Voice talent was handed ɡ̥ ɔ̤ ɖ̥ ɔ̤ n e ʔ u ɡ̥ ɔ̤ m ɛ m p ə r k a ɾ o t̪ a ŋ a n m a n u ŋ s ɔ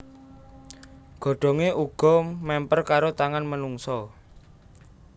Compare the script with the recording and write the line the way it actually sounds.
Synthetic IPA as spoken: ɡ̥ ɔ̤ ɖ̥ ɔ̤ ŋ e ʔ u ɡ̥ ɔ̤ m ɛ m p ə r k a ɾ o t̪ a ŋ a n m ə n u ŋ s ɔ